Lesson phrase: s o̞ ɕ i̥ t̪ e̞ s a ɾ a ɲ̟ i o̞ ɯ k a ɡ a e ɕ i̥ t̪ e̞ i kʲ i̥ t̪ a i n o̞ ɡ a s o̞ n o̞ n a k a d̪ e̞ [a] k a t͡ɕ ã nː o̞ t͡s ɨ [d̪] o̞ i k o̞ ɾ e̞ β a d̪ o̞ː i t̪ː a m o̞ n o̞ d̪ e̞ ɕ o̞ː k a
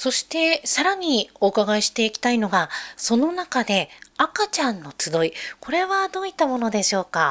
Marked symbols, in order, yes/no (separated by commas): yes, yes